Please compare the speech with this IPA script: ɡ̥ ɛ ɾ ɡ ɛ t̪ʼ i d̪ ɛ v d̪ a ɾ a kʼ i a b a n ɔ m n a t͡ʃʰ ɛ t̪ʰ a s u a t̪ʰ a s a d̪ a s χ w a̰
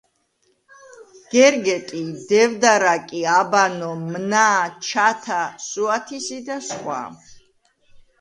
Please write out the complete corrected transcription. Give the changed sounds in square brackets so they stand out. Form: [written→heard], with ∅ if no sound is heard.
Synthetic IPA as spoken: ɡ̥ ɛ ɾ ɡ ɛ t̪ʼ i d̪ ɛ v d̪ a ɾ a kʼ i a b a n ɔ m n a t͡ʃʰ [ɛ→a] t̪ʰ a s u a t̪ʰ [a→i] s [a→i] d̪ a s χ w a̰